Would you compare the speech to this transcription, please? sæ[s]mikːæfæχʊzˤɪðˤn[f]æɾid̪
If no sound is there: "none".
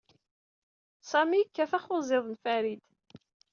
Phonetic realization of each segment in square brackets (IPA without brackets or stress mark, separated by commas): none, f